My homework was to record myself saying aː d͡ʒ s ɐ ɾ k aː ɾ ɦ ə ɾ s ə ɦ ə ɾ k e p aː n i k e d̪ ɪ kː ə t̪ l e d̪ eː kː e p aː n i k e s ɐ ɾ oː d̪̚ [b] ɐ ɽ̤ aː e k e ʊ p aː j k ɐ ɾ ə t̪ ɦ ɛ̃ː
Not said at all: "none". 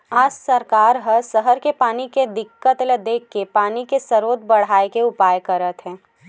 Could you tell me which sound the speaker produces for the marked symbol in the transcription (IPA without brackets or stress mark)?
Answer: b